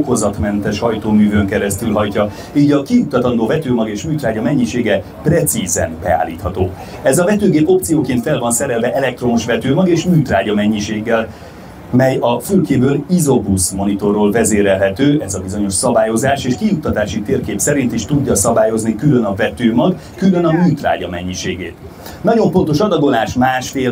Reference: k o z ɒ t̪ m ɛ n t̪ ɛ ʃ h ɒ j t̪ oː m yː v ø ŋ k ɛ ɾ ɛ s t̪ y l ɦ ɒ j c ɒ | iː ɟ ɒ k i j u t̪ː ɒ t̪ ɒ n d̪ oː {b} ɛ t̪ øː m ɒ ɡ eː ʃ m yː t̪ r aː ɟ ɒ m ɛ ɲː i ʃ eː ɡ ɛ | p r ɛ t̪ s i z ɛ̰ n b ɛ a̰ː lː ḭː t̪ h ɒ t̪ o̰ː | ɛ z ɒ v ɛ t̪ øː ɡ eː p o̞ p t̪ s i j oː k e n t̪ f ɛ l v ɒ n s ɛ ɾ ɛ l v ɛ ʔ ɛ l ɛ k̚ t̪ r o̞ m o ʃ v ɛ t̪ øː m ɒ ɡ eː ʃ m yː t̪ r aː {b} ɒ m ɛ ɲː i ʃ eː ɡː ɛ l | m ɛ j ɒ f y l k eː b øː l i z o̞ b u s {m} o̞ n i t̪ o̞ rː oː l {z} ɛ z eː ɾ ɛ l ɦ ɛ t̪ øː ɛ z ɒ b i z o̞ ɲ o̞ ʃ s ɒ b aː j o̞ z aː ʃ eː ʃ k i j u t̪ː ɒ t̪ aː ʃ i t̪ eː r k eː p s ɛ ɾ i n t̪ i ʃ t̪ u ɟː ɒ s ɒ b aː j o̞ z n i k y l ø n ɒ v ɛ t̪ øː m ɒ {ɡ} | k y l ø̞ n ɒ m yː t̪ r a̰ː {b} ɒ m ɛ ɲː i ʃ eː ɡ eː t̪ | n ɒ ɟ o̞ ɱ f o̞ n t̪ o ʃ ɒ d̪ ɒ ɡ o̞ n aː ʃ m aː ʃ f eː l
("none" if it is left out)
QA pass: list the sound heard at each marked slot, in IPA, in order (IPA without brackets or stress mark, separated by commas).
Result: v, ɟ, m, v, ɡ, ɟ